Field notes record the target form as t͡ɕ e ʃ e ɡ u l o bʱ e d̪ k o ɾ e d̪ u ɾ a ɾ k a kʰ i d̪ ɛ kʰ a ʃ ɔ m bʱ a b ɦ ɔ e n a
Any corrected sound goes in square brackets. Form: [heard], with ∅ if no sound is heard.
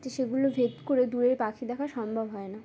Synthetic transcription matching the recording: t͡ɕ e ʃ e ɡ u l o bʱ e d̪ k o ɾ e d̪ u ɾ [e] ɾ [p] a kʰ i d̪ ɛ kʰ a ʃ ɔ m bʱ a b ɦ ɔ e n a